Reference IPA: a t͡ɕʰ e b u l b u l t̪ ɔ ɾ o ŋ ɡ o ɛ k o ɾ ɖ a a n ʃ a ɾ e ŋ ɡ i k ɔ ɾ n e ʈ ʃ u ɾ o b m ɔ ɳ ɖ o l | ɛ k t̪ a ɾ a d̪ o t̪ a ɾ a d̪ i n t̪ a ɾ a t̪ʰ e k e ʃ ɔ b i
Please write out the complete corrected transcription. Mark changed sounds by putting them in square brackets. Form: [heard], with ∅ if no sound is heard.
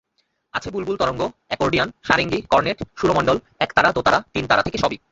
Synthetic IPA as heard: a t͡ɕʰ e b u l b u l t̪ ɔ ɾ o ŋ ɡ o ɛ k o ɾ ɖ [i] a n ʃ a ɾ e ŋ ɡ i k ɔ ɾ n e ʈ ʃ u ɾ o [∅] m ɔ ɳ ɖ o l | ɛ k t̪ a ɾ a d̪ o t̪ a ɾ a [t̪] i n t̪ a ɾ a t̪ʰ e k e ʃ ɔ b i

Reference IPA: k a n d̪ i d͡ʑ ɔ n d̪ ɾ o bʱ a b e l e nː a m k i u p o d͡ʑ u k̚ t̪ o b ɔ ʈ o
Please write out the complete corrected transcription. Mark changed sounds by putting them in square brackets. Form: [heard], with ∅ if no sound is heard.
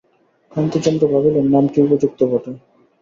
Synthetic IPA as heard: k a n [t̪] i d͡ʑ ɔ n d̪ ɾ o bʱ a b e l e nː a m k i u p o d͡ʑ u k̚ t̪ o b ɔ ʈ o

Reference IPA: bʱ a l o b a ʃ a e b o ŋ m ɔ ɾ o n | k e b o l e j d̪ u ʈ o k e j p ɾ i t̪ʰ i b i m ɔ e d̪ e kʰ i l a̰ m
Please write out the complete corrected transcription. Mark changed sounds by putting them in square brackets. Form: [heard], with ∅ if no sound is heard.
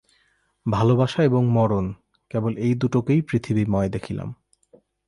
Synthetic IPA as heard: bʱ a l o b a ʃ a e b o ŋ m ɔ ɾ o n | k e b o l e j d̪ u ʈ o k e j p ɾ i t̪ʰ i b i m ɔ e d̪ e kʰ i l a̰ m

